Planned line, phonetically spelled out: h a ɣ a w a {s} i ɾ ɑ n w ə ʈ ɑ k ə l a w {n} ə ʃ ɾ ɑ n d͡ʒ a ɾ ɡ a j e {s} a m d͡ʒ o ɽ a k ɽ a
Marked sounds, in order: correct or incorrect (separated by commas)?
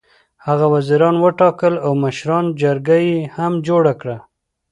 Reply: incorrect, incorrect, incorrect